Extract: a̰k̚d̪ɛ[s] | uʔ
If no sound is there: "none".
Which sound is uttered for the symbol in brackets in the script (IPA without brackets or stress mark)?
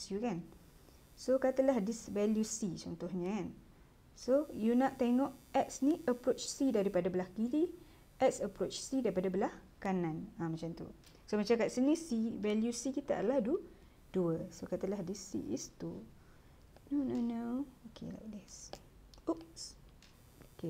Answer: s